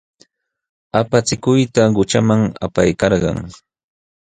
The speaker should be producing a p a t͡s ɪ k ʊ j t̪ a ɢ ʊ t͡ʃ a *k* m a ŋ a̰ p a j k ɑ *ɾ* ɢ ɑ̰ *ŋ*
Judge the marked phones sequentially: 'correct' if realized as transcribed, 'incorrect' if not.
incorrect: none, correct, correct

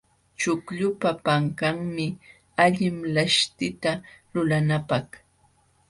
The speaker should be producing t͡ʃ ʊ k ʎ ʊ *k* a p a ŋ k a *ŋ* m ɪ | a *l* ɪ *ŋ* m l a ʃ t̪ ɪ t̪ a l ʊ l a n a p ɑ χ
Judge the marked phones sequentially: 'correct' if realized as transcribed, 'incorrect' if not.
incorrect: p, correct, incorrect: ʎ, incorrect: none

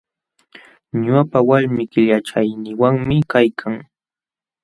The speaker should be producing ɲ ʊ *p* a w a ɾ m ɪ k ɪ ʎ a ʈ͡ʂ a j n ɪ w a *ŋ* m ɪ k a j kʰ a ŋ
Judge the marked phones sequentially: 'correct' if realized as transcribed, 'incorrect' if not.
correct, correct

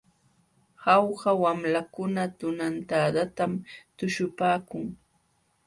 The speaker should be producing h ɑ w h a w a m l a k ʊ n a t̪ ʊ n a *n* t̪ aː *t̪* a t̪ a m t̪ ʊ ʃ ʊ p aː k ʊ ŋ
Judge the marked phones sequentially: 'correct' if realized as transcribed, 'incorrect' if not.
correct, incorrect: d̪

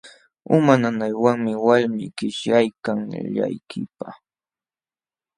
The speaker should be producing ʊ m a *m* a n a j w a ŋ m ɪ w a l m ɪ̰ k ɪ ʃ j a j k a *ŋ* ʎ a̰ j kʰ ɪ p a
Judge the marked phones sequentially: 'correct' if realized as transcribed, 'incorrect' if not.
incorrect: n, correct

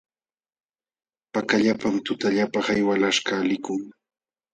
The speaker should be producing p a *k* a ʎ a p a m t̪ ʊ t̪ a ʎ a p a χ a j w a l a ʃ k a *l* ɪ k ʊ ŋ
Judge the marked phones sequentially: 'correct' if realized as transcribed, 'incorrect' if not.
correct, correct

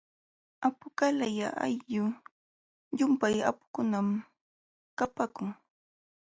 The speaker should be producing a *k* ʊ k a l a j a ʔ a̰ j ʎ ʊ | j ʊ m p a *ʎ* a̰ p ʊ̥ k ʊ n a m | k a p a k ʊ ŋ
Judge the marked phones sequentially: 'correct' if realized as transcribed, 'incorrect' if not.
incorrect: p, incorrect: j

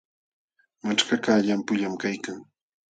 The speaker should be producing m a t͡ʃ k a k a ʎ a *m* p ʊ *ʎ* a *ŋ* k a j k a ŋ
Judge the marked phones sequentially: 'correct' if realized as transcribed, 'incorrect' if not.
correct, correct, incorrect: m

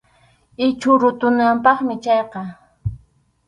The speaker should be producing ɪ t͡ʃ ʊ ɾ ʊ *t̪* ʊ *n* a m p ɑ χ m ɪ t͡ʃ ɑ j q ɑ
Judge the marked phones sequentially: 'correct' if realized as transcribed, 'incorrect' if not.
correct, correct

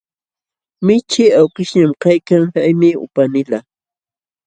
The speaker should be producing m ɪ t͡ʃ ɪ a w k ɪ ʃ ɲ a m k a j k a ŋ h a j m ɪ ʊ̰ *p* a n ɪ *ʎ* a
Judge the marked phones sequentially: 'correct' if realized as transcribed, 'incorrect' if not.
correct, incorrect: l

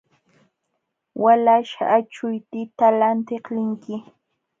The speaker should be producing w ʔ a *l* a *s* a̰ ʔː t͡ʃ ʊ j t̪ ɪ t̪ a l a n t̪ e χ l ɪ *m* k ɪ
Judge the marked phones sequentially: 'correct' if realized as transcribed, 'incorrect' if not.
correct, incorrect: ʃ, incorrect: ŋ

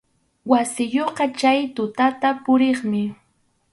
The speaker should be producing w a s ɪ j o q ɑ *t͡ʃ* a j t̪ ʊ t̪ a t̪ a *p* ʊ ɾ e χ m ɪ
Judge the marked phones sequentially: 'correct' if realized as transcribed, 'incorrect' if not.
correct, correct

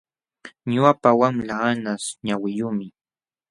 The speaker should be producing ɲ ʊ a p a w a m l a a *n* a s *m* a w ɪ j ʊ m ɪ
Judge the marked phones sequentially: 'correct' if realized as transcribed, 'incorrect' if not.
correct, incorrect: ɲ

